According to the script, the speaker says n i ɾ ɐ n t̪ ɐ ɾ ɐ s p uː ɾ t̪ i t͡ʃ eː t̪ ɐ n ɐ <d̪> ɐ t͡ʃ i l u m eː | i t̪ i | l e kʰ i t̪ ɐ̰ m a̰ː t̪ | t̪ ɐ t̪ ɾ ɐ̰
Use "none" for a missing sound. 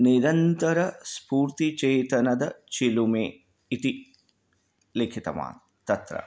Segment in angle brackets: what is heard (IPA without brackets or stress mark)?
d̪